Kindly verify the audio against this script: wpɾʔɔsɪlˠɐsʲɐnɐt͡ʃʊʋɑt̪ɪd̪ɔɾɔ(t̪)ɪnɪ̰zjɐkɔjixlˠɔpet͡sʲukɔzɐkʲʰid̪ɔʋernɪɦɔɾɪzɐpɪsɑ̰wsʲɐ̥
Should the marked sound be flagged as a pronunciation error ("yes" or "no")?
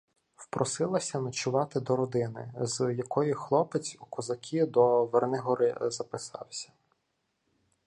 yes